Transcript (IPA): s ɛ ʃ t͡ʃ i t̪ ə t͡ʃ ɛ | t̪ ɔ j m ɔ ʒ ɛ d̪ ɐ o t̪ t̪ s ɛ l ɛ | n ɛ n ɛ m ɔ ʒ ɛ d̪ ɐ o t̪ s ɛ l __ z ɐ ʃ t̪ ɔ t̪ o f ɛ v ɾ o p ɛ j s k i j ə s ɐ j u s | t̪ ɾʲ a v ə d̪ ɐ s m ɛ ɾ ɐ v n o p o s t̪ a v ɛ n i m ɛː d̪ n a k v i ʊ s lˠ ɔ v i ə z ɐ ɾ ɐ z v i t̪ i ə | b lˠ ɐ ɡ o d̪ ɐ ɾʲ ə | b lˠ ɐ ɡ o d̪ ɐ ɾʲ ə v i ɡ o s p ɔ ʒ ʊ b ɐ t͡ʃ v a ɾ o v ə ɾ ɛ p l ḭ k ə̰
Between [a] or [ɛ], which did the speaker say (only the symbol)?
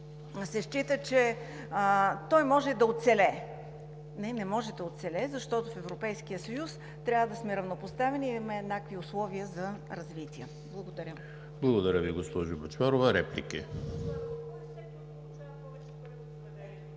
ɛ